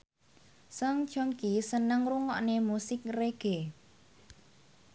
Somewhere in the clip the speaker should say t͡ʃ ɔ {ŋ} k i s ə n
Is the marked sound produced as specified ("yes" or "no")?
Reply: yes